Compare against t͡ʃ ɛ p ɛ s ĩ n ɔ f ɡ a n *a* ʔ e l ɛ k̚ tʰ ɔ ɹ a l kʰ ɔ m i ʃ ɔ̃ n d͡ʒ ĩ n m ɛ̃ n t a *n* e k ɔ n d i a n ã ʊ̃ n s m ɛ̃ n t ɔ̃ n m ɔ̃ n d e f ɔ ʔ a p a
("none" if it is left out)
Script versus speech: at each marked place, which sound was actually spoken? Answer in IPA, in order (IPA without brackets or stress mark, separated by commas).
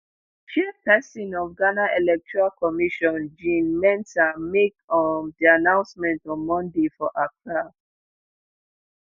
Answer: a, m